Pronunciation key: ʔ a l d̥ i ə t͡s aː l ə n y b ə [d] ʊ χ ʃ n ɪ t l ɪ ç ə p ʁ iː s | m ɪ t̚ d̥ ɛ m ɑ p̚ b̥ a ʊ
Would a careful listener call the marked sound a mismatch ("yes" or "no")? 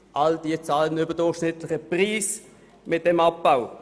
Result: no